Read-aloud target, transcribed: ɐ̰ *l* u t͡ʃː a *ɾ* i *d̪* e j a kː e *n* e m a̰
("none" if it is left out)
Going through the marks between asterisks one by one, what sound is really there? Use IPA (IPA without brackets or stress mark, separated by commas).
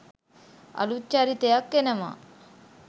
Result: l, ɾ, t̪, n